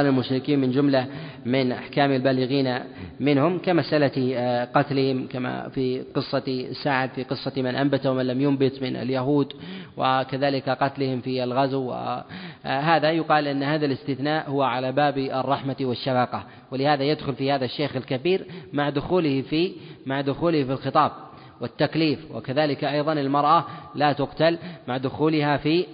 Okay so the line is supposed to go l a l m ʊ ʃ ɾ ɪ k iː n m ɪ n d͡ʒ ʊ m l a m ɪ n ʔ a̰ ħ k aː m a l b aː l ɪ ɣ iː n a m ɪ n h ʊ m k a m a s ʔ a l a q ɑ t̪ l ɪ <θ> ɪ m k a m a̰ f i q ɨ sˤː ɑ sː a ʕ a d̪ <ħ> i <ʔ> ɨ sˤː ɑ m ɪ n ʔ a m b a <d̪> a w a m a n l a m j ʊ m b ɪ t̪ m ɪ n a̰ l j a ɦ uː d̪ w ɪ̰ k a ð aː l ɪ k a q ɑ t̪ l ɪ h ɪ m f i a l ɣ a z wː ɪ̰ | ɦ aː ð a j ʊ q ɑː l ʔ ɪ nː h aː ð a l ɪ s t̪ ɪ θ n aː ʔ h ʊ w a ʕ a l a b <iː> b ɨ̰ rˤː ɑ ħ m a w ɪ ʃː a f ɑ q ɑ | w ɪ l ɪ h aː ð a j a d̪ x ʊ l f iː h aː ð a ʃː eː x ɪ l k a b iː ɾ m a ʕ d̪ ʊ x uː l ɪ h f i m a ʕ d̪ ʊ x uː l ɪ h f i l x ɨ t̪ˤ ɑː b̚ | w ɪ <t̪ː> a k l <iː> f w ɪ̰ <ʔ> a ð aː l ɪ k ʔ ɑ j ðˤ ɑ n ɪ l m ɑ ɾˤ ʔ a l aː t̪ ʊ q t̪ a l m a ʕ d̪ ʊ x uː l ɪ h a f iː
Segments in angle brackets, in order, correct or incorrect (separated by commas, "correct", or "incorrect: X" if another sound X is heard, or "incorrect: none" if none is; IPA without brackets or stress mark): incorrect: h, incorrect: f, incorrect: q, incorrect: t̪, incorrect: aː, correct, correct, incorrect: k